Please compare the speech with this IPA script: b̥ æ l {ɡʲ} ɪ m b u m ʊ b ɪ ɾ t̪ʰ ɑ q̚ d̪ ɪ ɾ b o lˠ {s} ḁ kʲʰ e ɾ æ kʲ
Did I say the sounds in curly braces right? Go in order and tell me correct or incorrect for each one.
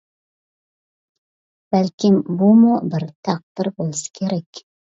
incorrect, correct

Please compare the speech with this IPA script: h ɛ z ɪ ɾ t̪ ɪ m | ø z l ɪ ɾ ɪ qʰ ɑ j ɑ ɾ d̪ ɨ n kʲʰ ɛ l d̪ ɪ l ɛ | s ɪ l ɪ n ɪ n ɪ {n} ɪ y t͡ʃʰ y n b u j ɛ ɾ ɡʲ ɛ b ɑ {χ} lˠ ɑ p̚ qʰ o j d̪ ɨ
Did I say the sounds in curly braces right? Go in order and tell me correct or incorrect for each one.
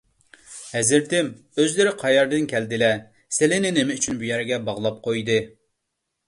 incorrect, incorrect

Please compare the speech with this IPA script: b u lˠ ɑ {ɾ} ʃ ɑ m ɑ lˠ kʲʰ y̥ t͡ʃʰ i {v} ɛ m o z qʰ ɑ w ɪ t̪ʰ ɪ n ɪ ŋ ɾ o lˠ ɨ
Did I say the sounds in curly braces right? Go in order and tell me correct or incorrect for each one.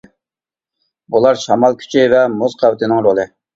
correct, correct

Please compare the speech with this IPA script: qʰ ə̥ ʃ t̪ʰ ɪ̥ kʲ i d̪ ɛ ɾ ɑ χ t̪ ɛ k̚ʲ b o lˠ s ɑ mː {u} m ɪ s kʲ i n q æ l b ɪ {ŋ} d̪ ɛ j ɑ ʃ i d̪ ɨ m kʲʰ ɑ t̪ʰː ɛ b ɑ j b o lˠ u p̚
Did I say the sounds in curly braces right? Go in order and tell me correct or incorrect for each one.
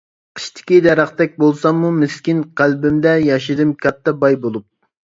correct, incorrect

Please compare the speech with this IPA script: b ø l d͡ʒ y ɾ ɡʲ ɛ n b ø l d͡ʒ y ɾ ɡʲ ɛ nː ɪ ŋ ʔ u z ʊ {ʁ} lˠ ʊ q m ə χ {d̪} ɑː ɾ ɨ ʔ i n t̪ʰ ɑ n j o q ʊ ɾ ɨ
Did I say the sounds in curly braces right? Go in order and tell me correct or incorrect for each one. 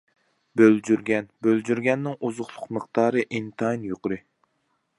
incorrect, incorrect

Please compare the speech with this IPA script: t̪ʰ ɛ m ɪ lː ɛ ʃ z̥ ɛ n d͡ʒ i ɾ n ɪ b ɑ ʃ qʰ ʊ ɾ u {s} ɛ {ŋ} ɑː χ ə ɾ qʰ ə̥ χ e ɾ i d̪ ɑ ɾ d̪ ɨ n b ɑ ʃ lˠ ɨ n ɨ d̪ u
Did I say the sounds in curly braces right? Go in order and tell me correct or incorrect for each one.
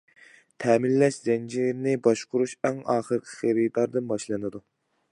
incorrect, correct

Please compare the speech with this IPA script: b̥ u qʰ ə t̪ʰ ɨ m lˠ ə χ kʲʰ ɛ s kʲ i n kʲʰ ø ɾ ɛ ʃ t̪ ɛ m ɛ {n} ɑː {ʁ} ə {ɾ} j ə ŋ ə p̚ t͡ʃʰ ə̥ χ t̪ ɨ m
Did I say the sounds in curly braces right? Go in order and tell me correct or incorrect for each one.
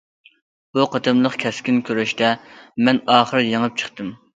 correct, incorrect, correct

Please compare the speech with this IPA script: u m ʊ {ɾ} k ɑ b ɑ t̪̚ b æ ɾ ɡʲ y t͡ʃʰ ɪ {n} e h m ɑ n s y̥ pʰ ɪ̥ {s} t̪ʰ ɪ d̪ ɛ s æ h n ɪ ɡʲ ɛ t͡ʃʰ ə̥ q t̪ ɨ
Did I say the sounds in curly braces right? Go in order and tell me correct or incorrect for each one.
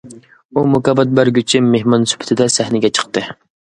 incorrect, incorrect, incorrect

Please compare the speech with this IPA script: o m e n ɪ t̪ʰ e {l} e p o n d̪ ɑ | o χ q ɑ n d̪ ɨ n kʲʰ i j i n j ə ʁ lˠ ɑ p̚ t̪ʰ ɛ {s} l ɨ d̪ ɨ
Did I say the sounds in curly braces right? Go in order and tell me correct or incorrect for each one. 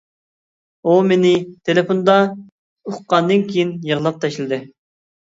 correct, incorrect

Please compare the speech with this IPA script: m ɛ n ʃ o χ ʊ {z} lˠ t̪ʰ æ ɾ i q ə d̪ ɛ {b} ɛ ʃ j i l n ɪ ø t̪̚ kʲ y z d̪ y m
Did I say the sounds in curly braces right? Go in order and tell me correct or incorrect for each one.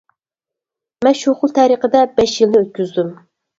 incorrect, correct

